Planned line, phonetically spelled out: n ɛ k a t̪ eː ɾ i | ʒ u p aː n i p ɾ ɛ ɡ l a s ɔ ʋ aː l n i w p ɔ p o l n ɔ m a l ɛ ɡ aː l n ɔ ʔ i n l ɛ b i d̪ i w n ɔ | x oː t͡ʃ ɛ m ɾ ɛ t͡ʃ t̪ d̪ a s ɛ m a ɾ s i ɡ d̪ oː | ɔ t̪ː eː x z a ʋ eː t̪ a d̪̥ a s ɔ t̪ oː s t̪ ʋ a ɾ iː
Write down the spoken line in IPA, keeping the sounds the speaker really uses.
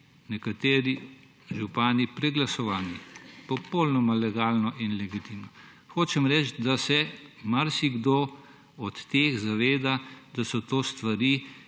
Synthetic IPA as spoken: n ɛ k a t̪ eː ɾ i | ʒ u p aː n i p ɾ ɛ ɡ l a s ɔ ʋ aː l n i p ɔ p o l n ɔ m a l ɛ ɡ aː l n ɔ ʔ i n l ɛ ɡ i t̪ i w n ɔ | x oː t͡ʃ ɛ m ɾ ɛ t͡ʃ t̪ d̪ a s ɛ m a ɾ s i ɡ d̪ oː | ɔ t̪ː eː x z a ʋ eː d̪ a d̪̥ a s ɔ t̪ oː s t̪ ʋ a ɾ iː